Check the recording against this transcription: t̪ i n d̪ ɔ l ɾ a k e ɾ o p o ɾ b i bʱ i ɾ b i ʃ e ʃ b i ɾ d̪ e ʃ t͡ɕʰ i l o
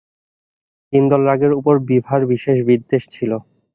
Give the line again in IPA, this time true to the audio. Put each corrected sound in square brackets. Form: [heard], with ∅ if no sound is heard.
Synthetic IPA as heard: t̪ i n d̪ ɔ l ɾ a [ɡ] e ɾ [u] p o ɾ b i bʱ [a] ɾ b i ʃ e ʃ b i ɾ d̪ e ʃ t͡ɕʰ i l o